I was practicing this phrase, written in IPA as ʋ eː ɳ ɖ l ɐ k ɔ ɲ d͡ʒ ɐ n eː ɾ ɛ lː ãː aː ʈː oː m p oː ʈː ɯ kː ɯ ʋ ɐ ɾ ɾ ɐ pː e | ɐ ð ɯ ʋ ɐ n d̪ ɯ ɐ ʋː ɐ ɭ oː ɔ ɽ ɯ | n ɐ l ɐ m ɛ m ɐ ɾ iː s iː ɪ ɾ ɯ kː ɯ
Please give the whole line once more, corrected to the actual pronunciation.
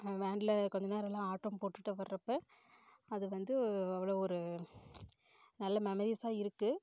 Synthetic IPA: ʋ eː ɳ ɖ l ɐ k ɔ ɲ d͡ʒ ɐ n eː ɾ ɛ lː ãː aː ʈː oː m p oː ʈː ɯ ʈː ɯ ʋ ɐ ɾ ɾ ɐ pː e | ɐ ð ɯ ʋ ɐ n d̪ ɯ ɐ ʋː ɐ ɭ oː ɔ ɾ ɯ | n ɐ lː ɐ m ɛ m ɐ ɾ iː s aː ɪ ɾ ɯ kː ɯ